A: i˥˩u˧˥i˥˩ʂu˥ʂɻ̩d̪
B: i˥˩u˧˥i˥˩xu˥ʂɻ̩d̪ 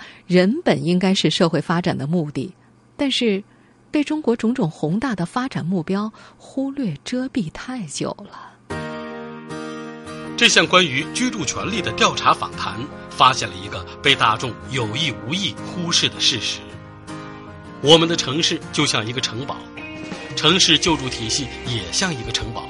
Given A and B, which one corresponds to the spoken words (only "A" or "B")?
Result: B